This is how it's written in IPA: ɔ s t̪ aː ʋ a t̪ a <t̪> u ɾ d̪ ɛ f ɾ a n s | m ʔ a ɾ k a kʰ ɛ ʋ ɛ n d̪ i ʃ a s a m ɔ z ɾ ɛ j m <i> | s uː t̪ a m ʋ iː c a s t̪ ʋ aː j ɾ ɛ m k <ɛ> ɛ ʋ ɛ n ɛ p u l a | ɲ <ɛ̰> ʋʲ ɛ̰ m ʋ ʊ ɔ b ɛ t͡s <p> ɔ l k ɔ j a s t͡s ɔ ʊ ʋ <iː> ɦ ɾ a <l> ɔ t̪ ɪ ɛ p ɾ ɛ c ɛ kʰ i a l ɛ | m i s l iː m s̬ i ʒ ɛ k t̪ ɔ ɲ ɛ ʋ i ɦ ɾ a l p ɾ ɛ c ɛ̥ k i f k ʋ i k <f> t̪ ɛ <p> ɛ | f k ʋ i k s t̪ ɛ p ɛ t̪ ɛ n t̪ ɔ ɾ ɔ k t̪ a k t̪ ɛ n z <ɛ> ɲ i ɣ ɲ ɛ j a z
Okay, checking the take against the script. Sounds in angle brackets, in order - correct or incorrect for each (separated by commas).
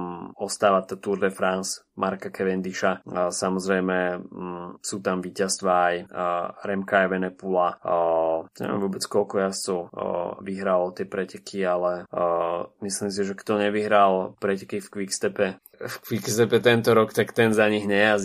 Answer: correct, incorrect, incorrect, correct, incorrect, incorrect, correct, incorrect, correct, incorrect